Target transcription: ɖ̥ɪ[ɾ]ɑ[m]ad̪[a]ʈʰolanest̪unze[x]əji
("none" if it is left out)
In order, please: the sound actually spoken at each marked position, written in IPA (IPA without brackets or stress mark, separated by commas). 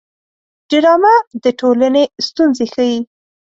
ɾ, m, ə, x